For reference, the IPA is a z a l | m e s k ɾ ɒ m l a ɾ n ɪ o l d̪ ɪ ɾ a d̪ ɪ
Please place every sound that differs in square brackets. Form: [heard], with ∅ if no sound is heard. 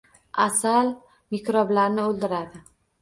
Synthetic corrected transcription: a [s] a l | m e [∅] k ɾ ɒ [b] l a ɾ n ɪ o l d̪ ɪ ɾ a d̪ ɪ